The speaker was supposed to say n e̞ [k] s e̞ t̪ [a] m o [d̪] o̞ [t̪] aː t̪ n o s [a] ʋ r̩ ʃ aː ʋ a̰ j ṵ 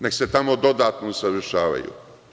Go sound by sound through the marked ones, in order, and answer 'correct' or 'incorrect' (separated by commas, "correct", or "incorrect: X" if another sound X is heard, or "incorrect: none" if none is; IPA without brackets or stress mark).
correct, correct, correct, incorrect: d̪, correct